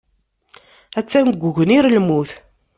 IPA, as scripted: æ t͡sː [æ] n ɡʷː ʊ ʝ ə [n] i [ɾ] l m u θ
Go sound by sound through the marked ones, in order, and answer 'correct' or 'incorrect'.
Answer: correct, correct, correct

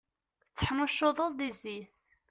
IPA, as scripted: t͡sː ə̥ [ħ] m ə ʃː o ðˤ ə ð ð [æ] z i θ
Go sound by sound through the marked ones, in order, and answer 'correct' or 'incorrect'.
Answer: correct, incorrect: i

